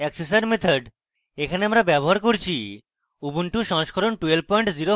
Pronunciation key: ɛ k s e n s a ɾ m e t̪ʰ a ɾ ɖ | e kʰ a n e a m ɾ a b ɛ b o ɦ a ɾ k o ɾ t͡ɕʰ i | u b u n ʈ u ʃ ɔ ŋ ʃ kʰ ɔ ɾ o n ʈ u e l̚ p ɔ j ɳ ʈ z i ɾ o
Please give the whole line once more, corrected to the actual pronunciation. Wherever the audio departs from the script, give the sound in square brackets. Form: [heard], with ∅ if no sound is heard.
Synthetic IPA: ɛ k s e [∅] s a ɾ m e t̪ʰ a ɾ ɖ | e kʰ a n e a m ɾ a b ɛ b o ɦ a ɾ k o ɾ t͡ɕʰ i | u b u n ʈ u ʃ ɔ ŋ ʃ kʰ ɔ ɾ o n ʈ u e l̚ p ɔ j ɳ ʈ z i ɾ o